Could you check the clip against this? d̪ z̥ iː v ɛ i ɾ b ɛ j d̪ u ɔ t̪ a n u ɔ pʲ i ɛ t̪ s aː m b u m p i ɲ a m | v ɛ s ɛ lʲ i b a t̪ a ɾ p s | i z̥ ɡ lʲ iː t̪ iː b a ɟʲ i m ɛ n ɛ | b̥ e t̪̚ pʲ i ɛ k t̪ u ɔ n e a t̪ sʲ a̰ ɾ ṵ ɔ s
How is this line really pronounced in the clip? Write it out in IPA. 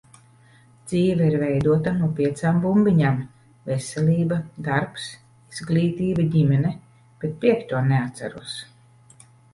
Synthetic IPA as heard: d̪ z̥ iː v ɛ i ɾ v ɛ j d̪ u ɔ t̪ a n u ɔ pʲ i ɛ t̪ s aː m b u m b i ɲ a m | v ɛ s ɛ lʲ iː b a d̪ a ɾ p s | i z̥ ɡ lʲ iː t̪ iː b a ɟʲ i m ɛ n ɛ | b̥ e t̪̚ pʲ i ɛ k t̪ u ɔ n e a t̪ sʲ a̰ ɾ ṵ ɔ s